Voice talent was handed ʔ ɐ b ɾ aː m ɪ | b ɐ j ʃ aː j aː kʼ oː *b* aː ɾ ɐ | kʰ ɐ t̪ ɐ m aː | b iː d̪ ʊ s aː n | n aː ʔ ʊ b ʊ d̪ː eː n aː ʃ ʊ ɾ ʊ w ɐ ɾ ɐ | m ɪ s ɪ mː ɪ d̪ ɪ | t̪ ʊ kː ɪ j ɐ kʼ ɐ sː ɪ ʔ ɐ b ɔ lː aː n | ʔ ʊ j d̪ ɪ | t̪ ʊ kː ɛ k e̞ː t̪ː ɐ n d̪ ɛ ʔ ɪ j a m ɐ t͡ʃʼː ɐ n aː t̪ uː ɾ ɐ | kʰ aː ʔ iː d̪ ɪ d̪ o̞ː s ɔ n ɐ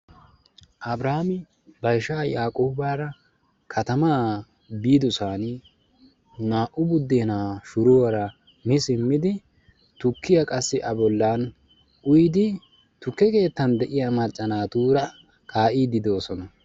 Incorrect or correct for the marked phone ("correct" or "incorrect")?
correct